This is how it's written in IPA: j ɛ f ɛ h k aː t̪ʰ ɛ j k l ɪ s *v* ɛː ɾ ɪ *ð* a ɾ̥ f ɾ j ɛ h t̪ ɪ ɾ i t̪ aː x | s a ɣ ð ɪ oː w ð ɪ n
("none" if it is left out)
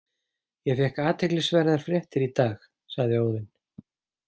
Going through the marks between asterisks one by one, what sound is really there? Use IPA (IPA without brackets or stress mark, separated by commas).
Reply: v, ð